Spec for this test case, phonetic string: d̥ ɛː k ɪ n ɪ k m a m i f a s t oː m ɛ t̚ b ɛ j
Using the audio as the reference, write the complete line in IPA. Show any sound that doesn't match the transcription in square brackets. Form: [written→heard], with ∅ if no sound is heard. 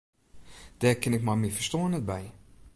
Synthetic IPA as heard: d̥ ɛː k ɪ n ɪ k m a m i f [a→ə] s t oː [m→n] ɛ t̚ b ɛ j